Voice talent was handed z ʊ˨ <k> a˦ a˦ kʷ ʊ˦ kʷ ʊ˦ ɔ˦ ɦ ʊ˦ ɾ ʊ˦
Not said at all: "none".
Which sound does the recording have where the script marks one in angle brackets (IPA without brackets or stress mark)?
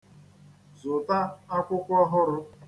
t